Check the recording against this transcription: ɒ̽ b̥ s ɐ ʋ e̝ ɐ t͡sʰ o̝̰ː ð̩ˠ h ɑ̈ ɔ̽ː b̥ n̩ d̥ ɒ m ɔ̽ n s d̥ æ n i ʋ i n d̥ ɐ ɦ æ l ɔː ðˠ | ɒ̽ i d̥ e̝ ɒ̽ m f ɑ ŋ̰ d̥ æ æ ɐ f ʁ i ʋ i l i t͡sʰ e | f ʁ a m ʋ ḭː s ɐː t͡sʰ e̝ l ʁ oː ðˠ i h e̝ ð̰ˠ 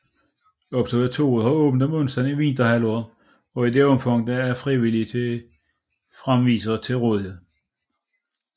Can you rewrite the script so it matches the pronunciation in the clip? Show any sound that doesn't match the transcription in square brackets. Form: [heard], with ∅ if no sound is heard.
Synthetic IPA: ɒ̽ b̥ s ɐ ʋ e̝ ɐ t͡sʰ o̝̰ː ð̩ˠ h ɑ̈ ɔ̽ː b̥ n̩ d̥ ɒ m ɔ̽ n s d̥ æ n i ʋ i n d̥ ɐ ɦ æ l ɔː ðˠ | ɒ̽ i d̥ e̝ ɒ̽ m f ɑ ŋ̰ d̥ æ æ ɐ f ʁ i ʋ i l i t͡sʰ e | f ʁ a m ʋ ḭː s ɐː t͡sʰ e̝ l ʁ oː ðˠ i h e̝ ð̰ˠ

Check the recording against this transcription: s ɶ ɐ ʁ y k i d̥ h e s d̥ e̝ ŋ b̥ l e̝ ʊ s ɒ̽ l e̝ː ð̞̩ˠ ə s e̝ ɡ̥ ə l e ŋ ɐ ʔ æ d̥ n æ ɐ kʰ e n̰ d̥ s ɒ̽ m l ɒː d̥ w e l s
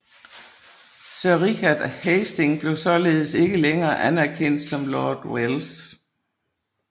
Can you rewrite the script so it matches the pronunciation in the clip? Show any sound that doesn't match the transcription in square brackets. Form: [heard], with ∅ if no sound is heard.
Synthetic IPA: s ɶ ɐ ʁ [i] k [æ] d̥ h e s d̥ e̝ ŋ b̥ l e̝ ʊ s ɒ̽ l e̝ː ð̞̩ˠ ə s e̝ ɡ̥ ə l e ŋ [ɐː] ʔ æ [∅] n æ ɐ kʰ e n̰ d̥ s ɒ̽ m l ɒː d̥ w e l s

